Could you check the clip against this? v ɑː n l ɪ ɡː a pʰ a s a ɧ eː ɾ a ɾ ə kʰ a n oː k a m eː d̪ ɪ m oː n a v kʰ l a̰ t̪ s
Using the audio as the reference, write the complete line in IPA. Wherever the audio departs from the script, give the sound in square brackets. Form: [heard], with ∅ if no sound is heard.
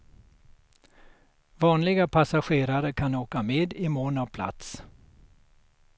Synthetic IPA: v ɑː n l ɪ [ɡ] a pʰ a s a ɧ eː ɾ a ɾ ə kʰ a n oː k a m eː d̪ ɪ m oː n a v [pʰ] l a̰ t̪ s